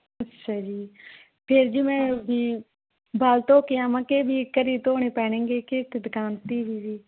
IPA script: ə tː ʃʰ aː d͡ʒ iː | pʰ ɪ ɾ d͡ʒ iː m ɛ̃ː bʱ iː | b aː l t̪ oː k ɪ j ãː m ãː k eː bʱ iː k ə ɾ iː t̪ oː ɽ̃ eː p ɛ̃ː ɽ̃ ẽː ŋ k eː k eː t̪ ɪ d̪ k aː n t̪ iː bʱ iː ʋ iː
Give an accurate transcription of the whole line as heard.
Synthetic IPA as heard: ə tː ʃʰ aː d͡ʒ iː | pʰ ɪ ɾ d͡ʒ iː m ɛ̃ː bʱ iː | b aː l t̪ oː k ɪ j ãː m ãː k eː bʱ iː k ə ɾ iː t̪ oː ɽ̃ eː p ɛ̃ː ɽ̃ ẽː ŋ ɡ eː k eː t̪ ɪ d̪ k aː n t̪ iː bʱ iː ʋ iː

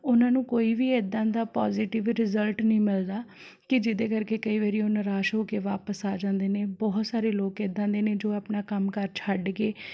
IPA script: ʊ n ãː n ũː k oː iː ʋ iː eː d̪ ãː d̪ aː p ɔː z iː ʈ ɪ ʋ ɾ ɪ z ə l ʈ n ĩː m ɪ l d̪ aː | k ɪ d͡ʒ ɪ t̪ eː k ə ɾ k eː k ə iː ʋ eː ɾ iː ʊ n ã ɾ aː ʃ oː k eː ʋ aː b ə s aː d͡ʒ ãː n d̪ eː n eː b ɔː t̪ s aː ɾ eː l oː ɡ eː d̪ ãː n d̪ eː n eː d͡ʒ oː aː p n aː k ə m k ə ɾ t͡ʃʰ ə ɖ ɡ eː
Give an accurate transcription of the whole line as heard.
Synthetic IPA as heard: ʊ n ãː n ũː k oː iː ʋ iː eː d̪ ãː d̪ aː p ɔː z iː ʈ ɪ ʋ ɾ ɪ z ə l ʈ n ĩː m ɪ l d̪ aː | k ɪ d͡ʒ ɪ d̪ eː k ə ɾ k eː k ə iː ʋ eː ɾ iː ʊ n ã ɾ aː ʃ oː k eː ʋ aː p ə s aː d͡ʒ ãː n d̪ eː n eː b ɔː t̪ s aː ɾ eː l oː k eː d̪ ãː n d̪ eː n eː d͡ʒ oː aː p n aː k ə m k ə ɾ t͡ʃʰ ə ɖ ɡ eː

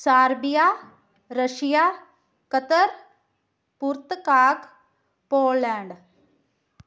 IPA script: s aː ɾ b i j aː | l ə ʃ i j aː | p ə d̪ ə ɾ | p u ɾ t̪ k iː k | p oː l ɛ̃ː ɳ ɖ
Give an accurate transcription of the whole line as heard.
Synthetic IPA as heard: s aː ɾ b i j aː | ɾ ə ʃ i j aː | k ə t̪ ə ɾ | p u ɾ t̪ k aː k | p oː l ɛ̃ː ɳ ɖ

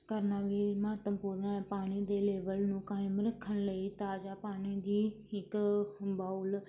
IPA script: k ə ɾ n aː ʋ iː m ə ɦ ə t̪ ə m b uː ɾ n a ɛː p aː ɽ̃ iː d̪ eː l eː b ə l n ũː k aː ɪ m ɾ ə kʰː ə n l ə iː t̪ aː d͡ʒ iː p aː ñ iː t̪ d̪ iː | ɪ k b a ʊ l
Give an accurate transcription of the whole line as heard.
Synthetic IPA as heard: k ə ɾ n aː ʋ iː m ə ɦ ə t̪ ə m p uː ɾ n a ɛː p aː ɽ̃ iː d̪ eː l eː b ə l n ũː k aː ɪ m ɾ ə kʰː ə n l ə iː t̪ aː d͡ʒ aː p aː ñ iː d̪ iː | ɪ k b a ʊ l

